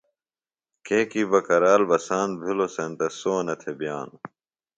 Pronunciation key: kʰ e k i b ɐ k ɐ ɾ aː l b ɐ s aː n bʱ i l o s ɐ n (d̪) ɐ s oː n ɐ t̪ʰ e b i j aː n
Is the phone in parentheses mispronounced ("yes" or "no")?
yes